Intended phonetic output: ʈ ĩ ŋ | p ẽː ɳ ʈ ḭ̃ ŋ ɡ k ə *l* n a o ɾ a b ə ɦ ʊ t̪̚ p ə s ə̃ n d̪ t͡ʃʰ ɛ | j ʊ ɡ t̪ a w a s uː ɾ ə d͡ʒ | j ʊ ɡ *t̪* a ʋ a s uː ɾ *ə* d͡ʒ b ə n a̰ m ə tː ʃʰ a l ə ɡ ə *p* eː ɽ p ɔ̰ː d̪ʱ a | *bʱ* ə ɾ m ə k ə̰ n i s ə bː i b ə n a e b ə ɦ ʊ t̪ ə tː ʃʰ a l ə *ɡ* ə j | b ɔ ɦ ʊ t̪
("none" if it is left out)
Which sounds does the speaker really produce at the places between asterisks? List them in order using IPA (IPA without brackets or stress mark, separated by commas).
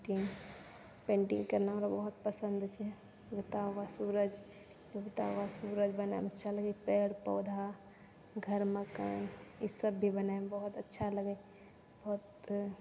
ɾ, t̪, ə, p, ɡʱ, ɡ